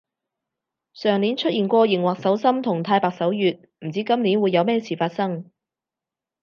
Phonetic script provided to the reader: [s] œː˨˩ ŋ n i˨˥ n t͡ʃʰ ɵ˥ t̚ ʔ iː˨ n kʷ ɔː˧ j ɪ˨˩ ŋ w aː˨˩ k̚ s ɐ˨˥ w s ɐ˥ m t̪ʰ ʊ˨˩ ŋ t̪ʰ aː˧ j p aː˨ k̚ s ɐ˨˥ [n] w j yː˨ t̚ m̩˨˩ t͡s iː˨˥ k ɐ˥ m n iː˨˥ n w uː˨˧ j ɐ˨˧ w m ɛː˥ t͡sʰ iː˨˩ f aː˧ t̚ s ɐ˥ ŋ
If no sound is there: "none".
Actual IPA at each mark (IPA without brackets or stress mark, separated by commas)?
s, none